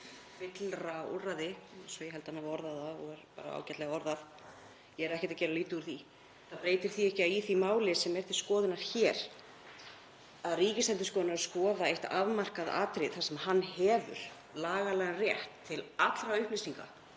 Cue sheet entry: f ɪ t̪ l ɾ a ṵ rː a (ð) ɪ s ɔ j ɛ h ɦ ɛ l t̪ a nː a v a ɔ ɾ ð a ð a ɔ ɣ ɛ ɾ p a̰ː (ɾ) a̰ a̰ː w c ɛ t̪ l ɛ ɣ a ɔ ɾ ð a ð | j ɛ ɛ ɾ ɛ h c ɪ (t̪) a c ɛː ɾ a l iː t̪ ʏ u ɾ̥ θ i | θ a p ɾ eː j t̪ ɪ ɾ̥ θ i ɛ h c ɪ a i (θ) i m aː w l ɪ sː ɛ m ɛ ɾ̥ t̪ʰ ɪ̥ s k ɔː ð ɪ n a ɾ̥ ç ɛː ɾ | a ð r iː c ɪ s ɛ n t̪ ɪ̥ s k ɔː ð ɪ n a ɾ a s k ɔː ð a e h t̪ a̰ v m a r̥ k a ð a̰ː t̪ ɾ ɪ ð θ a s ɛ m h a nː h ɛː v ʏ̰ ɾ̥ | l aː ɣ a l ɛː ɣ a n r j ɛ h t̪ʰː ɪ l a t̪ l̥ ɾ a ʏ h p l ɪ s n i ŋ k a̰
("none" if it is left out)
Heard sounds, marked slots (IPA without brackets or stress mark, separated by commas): ð, ɾ, t̪, θ